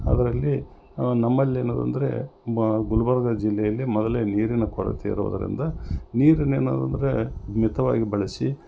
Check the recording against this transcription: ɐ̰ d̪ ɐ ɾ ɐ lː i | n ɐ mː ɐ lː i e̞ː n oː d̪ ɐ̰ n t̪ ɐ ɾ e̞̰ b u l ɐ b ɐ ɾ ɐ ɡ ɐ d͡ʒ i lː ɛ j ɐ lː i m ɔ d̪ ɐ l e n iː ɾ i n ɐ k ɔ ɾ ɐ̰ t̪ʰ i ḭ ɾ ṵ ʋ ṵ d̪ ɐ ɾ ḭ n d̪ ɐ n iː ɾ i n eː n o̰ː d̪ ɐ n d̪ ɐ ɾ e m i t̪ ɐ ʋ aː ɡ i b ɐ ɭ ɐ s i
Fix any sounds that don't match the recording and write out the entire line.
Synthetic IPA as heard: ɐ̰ d̪ ɐ ɾ ɐ lː i | n ɐ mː ɐ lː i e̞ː n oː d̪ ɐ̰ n d̪ ɐ ɾ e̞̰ ɡ u l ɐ b ɐ ɾ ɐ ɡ ɐ d͡ʒ i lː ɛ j ɐ lː i m ɔ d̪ ɐ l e n iː ɾ i n ɐ k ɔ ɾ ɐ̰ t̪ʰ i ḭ ɾ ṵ ʋ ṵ d̪ ɐ ɾ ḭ n d̪ ɐ n iː ɾ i n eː n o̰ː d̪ ɐ n d̪ ɐ ɾ e m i t̪ ɐ ʋ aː ɡ i b ɐ ɭ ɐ s i